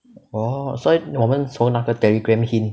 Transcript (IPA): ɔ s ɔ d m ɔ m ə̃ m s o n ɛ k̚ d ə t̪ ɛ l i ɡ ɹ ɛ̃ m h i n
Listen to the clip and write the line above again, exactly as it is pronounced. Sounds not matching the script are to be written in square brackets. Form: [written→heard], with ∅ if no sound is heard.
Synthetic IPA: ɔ s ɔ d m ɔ m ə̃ [m→n] s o n [ɛ→a] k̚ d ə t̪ ɛ l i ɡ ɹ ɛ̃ m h i n